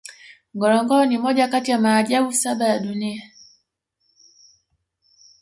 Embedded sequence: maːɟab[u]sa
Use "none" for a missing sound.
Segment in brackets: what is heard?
u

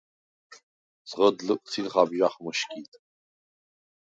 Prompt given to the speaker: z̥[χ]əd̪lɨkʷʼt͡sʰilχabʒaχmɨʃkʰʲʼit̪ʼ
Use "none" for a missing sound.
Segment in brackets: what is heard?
ʁ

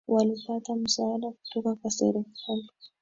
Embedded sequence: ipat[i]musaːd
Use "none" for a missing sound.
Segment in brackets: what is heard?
a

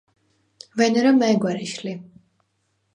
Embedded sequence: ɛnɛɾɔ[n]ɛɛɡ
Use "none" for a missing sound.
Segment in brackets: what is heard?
m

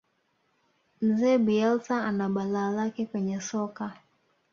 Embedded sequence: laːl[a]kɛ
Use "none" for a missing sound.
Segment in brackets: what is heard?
a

